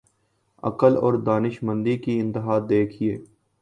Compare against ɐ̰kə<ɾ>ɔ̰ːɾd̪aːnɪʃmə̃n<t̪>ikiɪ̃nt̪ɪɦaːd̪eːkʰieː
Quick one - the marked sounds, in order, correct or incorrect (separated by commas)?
incorrect, incorrect